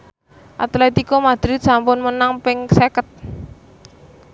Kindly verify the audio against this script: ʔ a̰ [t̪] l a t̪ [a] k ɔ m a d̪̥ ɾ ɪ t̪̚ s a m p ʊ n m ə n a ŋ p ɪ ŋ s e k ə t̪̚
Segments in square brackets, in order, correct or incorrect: correct, incorrect

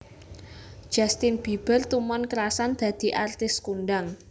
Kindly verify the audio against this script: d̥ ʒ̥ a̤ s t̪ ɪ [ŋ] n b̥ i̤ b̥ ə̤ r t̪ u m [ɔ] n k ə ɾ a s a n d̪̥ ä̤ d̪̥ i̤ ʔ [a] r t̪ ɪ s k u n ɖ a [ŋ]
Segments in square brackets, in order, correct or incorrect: incorrect, correct, correct, correct

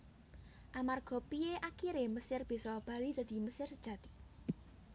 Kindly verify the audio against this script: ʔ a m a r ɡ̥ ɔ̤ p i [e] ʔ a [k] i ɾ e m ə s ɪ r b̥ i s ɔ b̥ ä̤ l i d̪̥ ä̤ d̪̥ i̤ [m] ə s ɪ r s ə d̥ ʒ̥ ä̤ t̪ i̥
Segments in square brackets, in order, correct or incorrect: correct, correct, correct

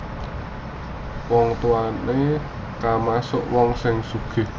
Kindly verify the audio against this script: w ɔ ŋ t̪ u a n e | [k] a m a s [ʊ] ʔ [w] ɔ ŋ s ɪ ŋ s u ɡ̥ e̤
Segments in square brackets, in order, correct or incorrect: correct, correct, correct

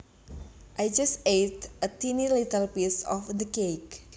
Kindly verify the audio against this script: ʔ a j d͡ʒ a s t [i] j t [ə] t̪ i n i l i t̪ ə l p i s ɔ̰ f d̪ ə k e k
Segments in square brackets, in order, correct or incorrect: incorrect, correct

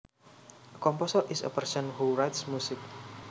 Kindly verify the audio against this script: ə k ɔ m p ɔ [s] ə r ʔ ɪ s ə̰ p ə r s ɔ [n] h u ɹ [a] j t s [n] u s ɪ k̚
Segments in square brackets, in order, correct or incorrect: correct, correct, correct, incorrect

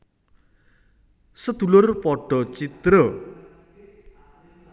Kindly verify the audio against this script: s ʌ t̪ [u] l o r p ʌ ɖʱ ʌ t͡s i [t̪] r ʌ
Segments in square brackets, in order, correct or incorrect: correct, correct

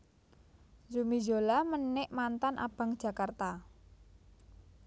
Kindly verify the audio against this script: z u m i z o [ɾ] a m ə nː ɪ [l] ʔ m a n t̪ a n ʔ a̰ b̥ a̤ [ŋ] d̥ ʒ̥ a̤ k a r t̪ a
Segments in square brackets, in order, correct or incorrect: incorrect, incorrect, correct

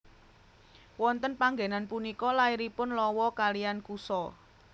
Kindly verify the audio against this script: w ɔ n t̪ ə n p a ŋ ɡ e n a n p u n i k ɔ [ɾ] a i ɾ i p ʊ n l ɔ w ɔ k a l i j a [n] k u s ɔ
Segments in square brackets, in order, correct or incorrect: incorrect, correct

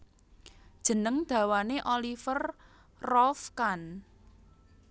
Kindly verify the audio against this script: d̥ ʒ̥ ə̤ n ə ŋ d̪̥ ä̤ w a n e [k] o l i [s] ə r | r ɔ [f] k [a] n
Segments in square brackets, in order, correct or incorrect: incorrect, incorrect, correct, correct

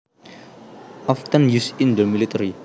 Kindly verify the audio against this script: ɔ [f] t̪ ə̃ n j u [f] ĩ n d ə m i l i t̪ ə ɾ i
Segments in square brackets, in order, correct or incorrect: correct, incorrect

